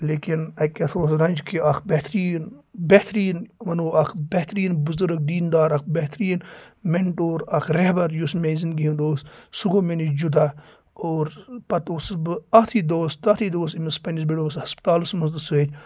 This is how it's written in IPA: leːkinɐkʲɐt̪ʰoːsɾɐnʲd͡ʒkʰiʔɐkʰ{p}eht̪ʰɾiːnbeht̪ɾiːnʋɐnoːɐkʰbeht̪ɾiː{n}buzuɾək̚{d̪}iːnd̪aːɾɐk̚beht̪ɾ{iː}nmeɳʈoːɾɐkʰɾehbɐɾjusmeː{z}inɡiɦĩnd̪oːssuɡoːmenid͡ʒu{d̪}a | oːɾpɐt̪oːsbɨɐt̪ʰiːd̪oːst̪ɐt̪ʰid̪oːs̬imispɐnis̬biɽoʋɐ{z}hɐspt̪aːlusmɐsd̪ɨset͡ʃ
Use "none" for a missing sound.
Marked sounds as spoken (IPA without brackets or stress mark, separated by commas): b, n, d̪, iː, z, d̪, s